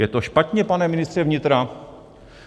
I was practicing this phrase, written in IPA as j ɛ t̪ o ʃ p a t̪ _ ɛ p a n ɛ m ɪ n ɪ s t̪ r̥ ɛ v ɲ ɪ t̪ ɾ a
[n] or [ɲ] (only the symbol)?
ɲ